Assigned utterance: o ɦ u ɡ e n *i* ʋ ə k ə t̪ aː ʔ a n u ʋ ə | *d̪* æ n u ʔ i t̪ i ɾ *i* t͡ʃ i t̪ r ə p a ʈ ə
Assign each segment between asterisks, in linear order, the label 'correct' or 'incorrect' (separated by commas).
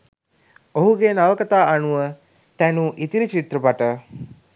incorrect, incorrect, correct